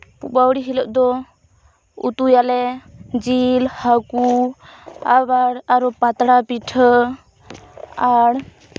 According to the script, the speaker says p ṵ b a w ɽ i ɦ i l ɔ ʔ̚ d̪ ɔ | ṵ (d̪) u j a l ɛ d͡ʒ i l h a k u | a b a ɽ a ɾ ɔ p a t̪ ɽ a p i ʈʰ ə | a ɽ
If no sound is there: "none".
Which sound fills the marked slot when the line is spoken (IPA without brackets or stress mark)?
t̪